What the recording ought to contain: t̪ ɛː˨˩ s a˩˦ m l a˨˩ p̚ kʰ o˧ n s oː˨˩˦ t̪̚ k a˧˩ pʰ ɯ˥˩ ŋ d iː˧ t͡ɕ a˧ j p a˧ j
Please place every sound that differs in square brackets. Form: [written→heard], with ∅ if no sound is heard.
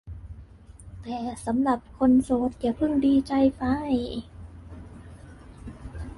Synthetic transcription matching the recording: t̪ ɛː˨˩ s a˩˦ m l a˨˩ p̚ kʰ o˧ n s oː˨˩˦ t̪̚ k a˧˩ pʰ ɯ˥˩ ŋ d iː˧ t͡ɕ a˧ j p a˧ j